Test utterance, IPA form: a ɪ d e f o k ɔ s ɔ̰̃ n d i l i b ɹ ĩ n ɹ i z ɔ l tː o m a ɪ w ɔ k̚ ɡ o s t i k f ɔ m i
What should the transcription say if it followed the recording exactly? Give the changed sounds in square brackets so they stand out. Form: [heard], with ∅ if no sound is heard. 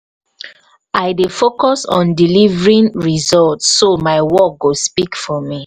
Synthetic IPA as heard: a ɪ d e f o k ɔ s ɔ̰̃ n d i l i [v] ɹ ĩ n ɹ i z ɔ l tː o m a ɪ w ɔ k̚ ɡ o s [p] i k f ɔ m i